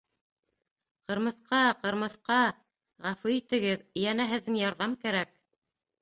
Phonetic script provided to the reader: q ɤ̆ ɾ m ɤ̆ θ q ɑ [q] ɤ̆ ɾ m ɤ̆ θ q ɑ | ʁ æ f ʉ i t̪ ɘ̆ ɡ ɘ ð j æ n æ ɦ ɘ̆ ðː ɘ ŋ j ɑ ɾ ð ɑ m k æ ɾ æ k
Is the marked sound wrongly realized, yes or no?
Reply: no